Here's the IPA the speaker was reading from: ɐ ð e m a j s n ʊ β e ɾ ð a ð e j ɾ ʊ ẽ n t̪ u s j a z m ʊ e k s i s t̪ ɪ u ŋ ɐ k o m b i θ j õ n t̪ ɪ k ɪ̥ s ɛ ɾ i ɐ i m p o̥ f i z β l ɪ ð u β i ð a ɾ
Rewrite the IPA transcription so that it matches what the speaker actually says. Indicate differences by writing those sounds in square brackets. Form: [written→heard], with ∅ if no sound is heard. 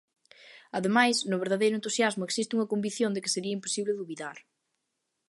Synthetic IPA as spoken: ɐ ð e m a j s n ʊ β e ɾ ð a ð e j ɾ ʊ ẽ n t̪ u s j a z m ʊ e k s i s t̪ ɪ u ŋ ɐ k o m b i θ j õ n [t̪→d̪] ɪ k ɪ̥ s [ɛ→e] ɾ i ɐ i m p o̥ [f→s] i [z→∅] β l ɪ ð u β i ð a ɾ

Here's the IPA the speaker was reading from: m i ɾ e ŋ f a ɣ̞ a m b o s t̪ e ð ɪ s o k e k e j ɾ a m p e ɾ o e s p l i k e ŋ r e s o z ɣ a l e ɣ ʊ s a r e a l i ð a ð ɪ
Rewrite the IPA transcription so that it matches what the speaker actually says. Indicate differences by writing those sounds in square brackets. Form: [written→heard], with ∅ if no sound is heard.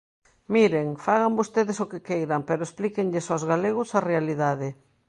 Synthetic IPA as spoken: m i ɾ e ŋ f a ɣ̞ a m b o s t̪ e ð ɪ s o k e k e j ɾ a m p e ɾ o e s p l i k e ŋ [r→ʎ] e s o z ɣ a l e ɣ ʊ s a r e a l i ð a ð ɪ

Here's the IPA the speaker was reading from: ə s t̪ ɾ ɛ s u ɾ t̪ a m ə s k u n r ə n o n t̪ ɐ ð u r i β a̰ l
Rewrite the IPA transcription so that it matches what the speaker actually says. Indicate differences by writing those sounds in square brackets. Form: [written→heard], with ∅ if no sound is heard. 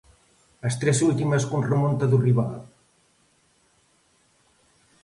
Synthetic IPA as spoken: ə s t̪ ɾ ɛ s u [ɾ→l] t̪ [a→i] m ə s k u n r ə [n→m] o n t̪ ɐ ð u r i β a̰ l

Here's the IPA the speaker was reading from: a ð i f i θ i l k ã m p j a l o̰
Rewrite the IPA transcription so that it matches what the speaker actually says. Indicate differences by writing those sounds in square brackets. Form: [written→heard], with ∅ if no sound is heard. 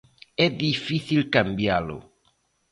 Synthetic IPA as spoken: [a→ɛ] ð i f i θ i l k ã m [p→b] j a l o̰

